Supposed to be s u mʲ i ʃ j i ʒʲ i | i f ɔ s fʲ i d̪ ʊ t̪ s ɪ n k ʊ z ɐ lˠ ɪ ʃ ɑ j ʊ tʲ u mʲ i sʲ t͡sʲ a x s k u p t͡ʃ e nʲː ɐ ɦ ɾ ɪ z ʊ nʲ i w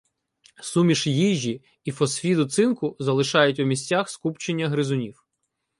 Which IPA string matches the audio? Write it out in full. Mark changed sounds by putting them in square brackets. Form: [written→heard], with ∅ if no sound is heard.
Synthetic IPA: s u mʲ i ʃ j i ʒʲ i | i f ɔ s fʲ i d̪ ʊ t̪ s ɪ n k ʊ z ɐ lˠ ɪ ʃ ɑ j ʊ tʲ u mʲ i sʲ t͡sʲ a x s k u p t͡ʃ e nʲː ɐ ɦ ɾ ɪ z ʊ nʲ i w